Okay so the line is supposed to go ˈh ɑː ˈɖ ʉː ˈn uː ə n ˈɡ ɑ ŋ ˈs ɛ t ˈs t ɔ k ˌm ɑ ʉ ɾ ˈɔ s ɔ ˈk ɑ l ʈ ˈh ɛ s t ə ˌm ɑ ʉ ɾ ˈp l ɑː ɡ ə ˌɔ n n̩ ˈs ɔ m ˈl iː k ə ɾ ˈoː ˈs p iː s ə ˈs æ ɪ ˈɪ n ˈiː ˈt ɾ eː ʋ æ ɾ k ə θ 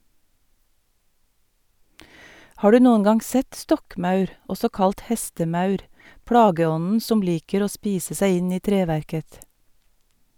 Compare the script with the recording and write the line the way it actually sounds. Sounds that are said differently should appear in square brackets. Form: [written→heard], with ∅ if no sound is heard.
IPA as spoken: ˈh ɑː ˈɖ ʉː ˈn uː ə n ˈɡ ɑ ŋ ˈs ɛ t ˈs t ɔ k ˌm ɑ ʉ ɾ ˈɔ s ɔ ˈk ɑ l ʈ ˈh ɛ s t ə ˌm ɑ ʉ ɾ ˈp [l→ɽ] ɑː ɡ ə ˌɔ n n̩ ˈs ɔ m ˈl iː k ə ɾ ˈoː ˈs p iː s ə ˈs æ ɪ ˈɪ n ˈiː ˈt ɾ eː ʋ æ ɾ k ə θ

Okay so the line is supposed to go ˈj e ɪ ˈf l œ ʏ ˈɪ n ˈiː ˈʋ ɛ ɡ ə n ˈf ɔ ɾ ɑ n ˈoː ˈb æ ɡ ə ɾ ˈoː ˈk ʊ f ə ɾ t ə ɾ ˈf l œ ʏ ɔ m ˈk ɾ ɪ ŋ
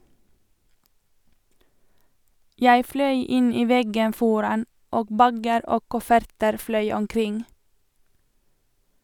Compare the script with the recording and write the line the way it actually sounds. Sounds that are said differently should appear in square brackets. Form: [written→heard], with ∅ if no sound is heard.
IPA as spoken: ˈj [e→æ] ɪ ˈf l œ ʏ ˈɪ n ˈiː ˈʋ ɛ ɡ ə n ˈf ɔ ɾ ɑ n ˈoː ˈb æ ɡ ə ɾ ˈoː ˈk ʊ f ə ɾ t ə ɾ ˈf l œ ʏ ɔ m ˈk ɾ ɪ ŋ

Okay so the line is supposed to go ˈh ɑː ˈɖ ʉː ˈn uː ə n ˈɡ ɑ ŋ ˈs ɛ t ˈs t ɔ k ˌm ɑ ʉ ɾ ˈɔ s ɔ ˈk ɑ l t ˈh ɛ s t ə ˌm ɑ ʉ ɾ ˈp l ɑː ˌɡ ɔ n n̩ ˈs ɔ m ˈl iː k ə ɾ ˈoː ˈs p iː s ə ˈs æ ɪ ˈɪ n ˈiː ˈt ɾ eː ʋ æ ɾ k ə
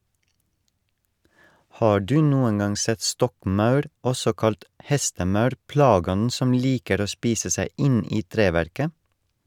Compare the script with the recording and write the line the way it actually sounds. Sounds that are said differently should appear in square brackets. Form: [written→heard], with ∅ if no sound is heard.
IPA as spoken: ˈh ɑː ˈɖ ʉː ˈn uː ə n ˈɡ ɑ ŋ ˈs ɛ t ˈs t ɔ k ˌm ɑ ʉ ɾ ˈɔ s ɔ ˈk ɑ l t ˈh ɛ s t ə ˌm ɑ ʉ ɾ ˈp l ɑː ˌɡ ɔ n n̩ ˈs ɔ m ˈl iː k ə ɾ ˈoː ˈs p iː s ə ˈs æ ɪ ˈɪ n ˈiː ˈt ɾ eː ʋ æ ɾ k ə

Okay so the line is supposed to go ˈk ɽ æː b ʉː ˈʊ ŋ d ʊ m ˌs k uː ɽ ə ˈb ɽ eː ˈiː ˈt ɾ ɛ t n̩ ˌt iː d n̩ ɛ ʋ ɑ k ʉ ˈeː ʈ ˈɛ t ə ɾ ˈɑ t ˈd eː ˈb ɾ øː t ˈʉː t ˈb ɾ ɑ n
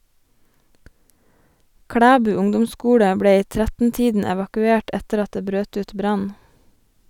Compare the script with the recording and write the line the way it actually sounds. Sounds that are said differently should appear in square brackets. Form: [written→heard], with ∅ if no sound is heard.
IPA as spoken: ˈk ɽ æː b ʉː ˈʊ ŋ d ʊ m ˌs k uː ɽ ə ˈb ɽ eː ˈiː ˈt ɾ [ɛ→æ] t n̩ ˌt iː d n̩ ɛ ʋ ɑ k ʉ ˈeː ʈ ˈɛ t ə ɾ ˈɑ t ˈd eː ˈb ɾ øː t ˈʉː t ˈb ɾ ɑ n

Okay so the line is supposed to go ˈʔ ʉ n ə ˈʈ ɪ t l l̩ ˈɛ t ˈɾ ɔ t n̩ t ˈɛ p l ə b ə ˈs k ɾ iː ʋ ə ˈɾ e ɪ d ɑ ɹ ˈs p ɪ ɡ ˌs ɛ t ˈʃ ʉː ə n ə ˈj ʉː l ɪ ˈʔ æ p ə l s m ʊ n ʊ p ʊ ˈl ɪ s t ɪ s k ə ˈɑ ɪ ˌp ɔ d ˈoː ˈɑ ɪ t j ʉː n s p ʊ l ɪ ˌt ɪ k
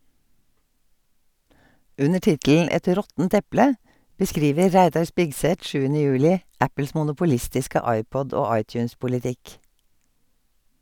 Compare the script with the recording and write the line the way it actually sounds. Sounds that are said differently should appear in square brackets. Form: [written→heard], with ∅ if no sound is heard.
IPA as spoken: ˈʔ ʉ n ə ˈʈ ɪ t l l̩ ˈɛ t ˈɾ ɔ t n̩ t ˈɛ p l ə b ə ˈs k ɾ iː ʋ ə ˈɾ [e→æ] ɪ d ɑ ɹ ˈs p ɪ ɡ ˌs ɛ t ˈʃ ʉː ə n ə ˈj ʉː l ɪ ˈʔ æ p ə l s m ʊ n ʊ p ʊ ˈl ɪ s t ɪ s k ə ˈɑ ɪ ˌp ɔ d ˈoː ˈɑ ɪ t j ʉː n s p ʊ l ɪ ˌt ɪ k

